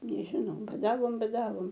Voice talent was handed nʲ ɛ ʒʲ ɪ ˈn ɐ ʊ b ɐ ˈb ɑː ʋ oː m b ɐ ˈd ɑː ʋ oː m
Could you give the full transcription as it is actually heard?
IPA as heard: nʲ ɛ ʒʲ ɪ ˈn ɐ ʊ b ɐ ˈd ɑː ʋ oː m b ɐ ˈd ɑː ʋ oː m